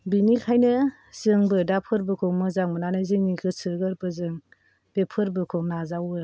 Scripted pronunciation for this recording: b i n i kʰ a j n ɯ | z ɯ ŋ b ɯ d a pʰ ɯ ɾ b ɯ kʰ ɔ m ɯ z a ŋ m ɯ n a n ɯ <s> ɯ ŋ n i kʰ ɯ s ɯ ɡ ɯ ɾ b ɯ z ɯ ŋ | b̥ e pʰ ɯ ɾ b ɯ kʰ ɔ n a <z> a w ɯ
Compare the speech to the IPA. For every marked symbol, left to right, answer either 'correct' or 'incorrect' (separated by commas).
incorrect, correct